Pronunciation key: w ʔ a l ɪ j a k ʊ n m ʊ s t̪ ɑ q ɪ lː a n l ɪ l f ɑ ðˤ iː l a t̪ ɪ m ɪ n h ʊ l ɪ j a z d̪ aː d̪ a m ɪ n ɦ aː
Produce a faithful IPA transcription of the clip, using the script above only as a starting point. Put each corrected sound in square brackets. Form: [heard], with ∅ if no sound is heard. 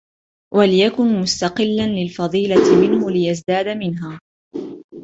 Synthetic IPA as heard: w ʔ a l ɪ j a k ʊ n m ʊ s t̪ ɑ q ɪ lː a n l ɪ l f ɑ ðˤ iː l a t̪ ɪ m ɪ n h ʊ l ɪ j a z d̪ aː d̪ a m ɪ n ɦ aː